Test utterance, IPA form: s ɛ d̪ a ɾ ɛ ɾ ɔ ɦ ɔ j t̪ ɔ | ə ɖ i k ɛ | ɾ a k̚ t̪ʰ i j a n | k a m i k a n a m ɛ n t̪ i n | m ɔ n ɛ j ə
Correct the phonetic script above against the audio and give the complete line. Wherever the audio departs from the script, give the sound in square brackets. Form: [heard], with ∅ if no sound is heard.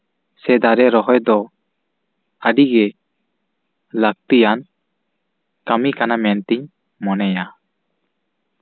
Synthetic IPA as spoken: s ɛ d̪ a ɾ ɛ ɾ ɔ ɦ ɔ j [d̪] ɔ | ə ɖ i [ɡ] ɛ | [l] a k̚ [t̪] i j a n | k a m i k a n a m ɛ n t̪ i [ɲ] | m ɔ n ɛ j [a]

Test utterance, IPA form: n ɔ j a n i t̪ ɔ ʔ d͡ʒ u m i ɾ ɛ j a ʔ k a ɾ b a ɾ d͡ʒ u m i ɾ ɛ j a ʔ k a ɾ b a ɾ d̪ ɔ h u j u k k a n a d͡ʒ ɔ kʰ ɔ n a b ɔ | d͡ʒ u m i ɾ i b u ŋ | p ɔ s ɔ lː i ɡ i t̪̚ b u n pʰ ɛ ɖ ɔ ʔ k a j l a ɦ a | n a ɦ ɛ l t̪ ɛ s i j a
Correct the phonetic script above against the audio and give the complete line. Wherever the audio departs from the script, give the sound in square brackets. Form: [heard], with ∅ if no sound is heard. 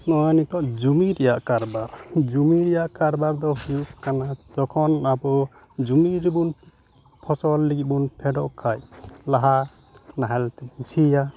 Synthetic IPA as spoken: n ɔ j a n i t̪ ɔ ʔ d͡ʒ u m i ɾ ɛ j a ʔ k a ɾ b a ɾ d͡ʒ u m i ɾ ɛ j a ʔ k a ɾ b a ɾ d̪ ɔ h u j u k k a n a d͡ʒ ɔ kʰ ɔ n a b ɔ | d͡ʒ u m i ɾ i b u [n] | [pʰ] ɔ s ɔ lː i ɡ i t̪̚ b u n pʰ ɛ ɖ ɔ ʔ [kʰ] a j l a ɦ a | n a ɦ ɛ l t̪ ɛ s i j a

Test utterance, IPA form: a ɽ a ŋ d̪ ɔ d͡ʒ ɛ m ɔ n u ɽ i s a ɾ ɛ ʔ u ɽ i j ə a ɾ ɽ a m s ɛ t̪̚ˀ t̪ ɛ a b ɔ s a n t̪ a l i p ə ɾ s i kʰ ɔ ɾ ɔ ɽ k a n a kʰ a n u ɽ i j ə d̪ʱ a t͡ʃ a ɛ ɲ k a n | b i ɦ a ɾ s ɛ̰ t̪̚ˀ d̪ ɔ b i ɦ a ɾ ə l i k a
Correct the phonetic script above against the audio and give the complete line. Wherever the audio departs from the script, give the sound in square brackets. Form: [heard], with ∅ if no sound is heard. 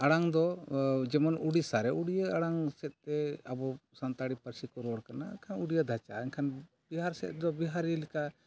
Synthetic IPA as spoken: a ɽ a ŋ d̪ ɔ d͡ʒ ɛ m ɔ n u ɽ i s a ɾ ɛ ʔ u ɽ i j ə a [∅] ɽ a [ŋ] s ɛ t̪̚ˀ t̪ ɛ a b ɔ s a n t̪ a [ɽ] i p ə ɾ s i [k] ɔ ɾ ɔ ɽ k a n a kʰ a n u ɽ i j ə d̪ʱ a t͡ʃ a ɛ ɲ [kʰ] a n | b i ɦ a ɾ s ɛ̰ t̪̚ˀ d̪ ɔ b i ɦ a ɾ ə l i k a

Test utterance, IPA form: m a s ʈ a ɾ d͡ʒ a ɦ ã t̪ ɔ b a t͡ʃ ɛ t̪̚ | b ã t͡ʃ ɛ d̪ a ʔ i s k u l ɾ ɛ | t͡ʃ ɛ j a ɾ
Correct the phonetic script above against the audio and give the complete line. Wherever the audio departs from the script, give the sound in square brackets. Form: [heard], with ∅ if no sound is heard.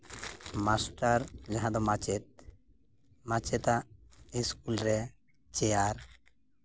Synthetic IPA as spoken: m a s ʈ a ɾ d͡ʒ a ɦ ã [d̪] ɔ [m] a t͡ʃ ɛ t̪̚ | [m] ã t͡ʃ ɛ [t̪] a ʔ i s k u l ɾ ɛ | t͡ʃ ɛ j a ɾ

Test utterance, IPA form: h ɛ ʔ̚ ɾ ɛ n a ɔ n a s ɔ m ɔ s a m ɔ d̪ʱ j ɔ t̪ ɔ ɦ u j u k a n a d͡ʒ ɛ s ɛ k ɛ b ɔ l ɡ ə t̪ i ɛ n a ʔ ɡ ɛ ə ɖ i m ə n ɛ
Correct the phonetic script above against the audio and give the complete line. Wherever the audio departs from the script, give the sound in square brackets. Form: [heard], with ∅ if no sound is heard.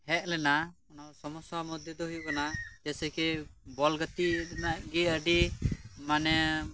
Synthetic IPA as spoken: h ɛ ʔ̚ [l] ɛ n a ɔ n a s ɔ m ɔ s a m ɔ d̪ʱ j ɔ [d̪] ɔ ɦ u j u k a n a d͡ʒ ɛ s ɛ k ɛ b ɔ l ɡ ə t̪ i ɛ n a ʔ ɡ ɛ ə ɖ i m [a] n ɛ

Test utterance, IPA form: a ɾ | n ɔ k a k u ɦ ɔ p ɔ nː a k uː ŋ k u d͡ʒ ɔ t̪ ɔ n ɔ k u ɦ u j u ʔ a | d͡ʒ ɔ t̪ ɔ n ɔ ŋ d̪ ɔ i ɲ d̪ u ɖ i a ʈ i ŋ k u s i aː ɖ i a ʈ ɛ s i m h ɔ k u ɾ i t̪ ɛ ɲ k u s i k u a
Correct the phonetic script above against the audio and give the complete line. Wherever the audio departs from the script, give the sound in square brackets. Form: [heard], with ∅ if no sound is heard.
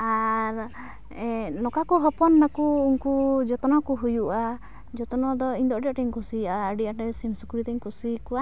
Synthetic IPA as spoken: a ɾ | n ɔ k a k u ɦ ɔ p ɔ nː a k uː ŋ k u d͡ʒ ɔ t̪ ɔ n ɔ k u ɦ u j u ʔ a | d͡ʒ ɔ t̪ ɔ n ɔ [∅] d̪ ɔ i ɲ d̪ [ɔ] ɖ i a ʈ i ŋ k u s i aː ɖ i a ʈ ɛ s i m [s] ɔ k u ɾ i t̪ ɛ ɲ k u s i k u a

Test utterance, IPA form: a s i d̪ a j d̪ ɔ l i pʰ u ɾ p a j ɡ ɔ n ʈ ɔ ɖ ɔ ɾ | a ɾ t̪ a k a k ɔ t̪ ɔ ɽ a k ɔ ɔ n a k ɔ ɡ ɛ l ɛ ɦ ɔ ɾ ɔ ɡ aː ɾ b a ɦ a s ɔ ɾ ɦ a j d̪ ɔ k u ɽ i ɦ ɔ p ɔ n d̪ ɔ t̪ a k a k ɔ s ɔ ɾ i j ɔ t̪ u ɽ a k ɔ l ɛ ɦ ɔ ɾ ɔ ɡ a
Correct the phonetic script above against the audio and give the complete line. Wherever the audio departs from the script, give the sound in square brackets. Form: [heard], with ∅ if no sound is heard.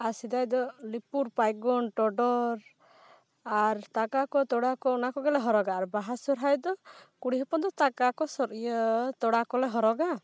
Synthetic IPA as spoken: a s i d̪ a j d̪ ɔ l i [p] u ɾ p a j ɡ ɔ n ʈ ɔ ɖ ɔ ɾ | a ɾ t̪ a k a k ɔ t̪ ɔ ɽ a k ɔ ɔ n a k ɔ ɡ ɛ l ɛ ɦ ɔ ɾ ɔ ɡ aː ɾ b a ɦ a s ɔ ɾ ɦ a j d̪ ɔ k u ɽ i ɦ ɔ p ɔ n d̪ ɔ t̪ a k a k ɔ s ɔ ɾ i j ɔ t̪ [ɔ] ɽ a k ɔ l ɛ ɦ ɔ ɾ ɔ ɡ a

